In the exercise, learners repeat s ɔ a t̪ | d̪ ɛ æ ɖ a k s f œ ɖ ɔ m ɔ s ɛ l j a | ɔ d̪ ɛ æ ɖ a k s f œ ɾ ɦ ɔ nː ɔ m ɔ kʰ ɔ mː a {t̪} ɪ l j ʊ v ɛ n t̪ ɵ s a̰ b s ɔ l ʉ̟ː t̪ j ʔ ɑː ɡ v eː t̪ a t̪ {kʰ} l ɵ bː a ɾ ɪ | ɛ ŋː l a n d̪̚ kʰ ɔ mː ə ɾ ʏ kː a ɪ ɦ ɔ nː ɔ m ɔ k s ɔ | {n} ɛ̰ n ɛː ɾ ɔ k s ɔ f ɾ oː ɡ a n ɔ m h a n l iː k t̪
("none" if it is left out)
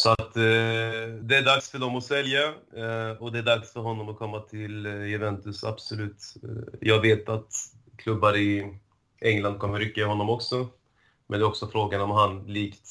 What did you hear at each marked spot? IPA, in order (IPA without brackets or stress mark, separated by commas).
t̪ʰ, kʰ, m